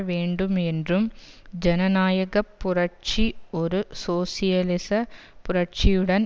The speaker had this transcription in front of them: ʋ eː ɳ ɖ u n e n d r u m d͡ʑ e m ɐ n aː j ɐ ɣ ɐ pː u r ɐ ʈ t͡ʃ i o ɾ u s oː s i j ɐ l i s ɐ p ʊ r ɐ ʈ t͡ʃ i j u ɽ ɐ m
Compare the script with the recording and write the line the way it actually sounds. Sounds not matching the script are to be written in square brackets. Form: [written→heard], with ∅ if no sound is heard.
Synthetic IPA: ʋ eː ɳ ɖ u [n→m] e n d r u m d͡ʑ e [m→n] ɐ n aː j ɐ ɣ ɐ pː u r ɐ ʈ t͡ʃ i o ɾ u s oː s i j ɐ l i s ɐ p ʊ r ɐ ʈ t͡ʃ i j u ɽ ɐ [m→n]